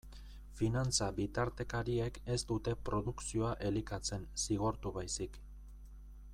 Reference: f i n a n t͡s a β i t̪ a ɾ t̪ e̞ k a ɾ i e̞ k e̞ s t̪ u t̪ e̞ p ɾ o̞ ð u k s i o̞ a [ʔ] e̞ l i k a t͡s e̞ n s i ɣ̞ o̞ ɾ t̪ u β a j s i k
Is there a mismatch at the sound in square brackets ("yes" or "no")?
no